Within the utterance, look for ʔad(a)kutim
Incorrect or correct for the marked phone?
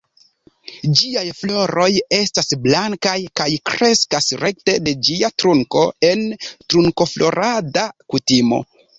correct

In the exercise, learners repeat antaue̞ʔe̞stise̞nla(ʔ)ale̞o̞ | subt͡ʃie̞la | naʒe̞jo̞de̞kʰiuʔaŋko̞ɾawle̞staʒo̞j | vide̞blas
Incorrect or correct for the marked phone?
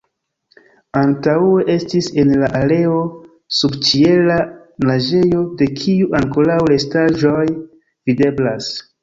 correct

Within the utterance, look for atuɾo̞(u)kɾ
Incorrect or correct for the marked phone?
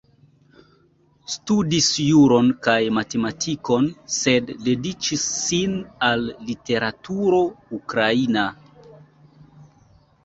correct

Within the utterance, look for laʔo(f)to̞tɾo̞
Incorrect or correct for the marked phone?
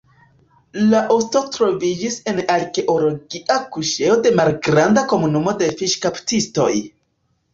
incorrect: s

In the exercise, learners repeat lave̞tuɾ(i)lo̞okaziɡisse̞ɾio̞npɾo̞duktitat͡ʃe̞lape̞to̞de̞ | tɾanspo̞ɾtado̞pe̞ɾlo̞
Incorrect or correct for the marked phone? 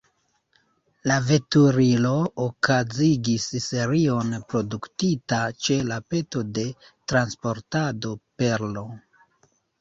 correct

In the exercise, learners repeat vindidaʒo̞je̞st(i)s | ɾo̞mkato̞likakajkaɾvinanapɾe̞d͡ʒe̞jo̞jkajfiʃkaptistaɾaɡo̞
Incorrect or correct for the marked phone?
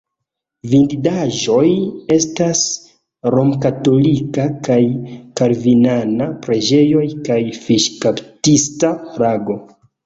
incorrect: a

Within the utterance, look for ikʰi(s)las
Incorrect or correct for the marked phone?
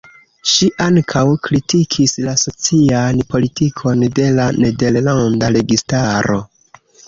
correct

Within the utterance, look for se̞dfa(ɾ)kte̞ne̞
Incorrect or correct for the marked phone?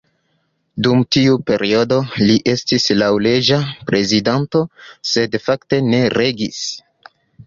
incorrect: none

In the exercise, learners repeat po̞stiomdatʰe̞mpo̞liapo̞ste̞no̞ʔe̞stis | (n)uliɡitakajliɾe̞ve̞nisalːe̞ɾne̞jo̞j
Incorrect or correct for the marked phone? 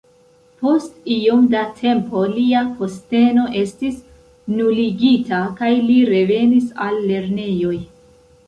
correct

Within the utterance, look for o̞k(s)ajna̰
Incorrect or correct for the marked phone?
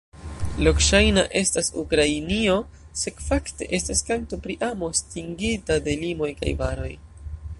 incorrect: ʃ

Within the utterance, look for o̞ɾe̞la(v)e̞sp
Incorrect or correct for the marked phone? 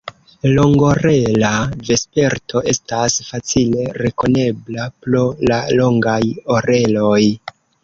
correct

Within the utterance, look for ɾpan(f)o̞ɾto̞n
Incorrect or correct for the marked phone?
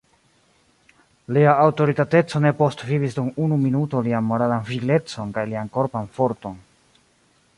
correct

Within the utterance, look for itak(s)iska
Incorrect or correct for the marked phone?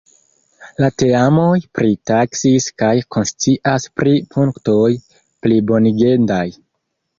correct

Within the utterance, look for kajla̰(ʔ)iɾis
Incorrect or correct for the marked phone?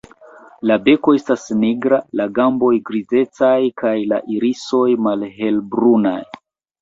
correct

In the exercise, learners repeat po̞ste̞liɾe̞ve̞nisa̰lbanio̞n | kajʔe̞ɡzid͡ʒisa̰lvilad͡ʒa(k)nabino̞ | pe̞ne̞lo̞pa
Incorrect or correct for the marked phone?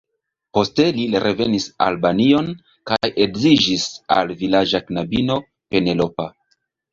correct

